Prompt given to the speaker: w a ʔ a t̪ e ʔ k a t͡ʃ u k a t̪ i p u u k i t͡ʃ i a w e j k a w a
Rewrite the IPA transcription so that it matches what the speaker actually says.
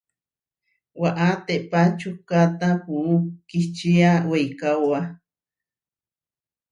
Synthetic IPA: w a ʔ a t̪ e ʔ p a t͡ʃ u k a t̪ a p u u k i t͡ʃ i a w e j k a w a